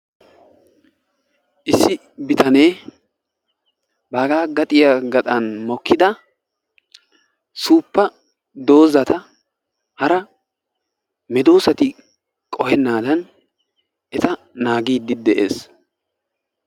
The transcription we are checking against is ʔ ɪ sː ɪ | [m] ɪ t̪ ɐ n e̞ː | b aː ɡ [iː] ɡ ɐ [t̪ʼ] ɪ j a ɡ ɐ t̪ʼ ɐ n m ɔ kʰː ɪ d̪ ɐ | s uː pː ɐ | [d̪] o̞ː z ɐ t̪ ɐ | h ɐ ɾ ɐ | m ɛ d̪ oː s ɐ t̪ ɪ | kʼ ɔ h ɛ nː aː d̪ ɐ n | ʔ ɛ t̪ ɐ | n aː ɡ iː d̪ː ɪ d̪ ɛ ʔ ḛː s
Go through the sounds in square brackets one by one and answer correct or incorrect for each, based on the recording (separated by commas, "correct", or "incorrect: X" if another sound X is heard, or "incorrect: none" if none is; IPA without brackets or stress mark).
incorrect: b, incorrect: aː, correct, correct